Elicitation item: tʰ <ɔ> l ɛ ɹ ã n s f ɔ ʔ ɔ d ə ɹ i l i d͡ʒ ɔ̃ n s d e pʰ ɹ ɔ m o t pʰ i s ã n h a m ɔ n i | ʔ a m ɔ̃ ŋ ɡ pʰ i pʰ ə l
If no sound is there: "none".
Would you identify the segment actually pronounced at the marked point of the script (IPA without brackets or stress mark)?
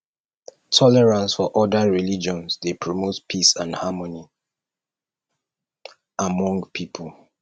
ɔ